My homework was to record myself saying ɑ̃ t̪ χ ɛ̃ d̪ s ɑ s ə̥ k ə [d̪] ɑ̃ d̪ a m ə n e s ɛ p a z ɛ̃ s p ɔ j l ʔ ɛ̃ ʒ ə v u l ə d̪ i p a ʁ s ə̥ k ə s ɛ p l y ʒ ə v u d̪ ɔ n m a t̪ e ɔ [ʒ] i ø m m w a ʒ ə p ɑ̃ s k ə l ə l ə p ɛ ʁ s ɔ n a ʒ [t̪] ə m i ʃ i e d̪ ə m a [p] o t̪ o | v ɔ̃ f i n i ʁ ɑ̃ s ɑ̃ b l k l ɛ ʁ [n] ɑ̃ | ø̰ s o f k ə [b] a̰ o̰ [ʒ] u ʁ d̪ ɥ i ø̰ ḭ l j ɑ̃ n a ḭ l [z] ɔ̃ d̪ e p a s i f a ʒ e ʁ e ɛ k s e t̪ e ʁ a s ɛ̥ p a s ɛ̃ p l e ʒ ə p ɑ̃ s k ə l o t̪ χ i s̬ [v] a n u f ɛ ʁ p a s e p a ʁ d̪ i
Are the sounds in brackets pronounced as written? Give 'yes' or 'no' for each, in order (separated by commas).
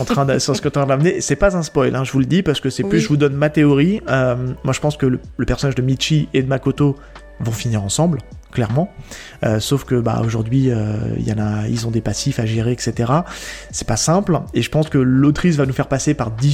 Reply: no, no, no, no, no, yes, yes, yes, yes